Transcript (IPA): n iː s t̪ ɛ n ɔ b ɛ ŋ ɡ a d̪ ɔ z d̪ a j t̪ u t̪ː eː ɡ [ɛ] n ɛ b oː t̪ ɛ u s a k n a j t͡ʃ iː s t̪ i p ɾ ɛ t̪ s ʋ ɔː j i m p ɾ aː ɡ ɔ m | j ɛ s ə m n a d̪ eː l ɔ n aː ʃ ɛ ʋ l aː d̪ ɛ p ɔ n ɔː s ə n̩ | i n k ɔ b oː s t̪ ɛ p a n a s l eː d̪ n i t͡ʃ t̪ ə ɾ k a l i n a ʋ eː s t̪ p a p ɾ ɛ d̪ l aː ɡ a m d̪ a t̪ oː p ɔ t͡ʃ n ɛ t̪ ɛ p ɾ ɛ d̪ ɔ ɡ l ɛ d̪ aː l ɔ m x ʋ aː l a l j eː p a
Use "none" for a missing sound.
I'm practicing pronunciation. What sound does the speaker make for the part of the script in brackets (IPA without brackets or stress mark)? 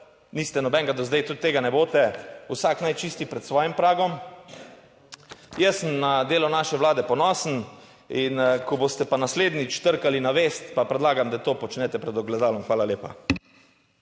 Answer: a